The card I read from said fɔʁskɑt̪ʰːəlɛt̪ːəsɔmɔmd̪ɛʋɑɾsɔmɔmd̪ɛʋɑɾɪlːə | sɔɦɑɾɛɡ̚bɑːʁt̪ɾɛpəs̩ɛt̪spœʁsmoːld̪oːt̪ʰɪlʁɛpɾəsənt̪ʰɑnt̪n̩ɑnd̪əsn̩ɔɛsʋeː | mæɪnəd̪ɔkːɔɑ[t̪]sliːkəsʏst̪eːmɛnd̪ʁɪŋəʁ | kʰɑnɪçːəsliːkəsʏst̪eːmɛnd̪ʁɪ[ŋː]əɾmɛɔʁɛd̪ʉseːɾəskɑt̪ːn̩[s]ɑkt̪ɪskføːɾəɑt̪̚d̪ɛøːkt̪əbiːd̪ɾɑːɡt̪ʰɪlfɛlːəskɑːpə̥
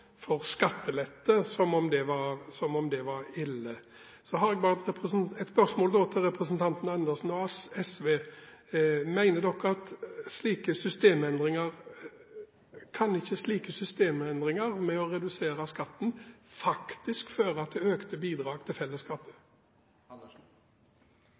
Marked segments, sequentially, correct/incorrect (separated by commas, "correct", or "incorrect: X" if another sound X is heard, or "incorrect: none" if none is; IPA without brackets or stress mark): correct, incorrect: ŋ, incorrect: f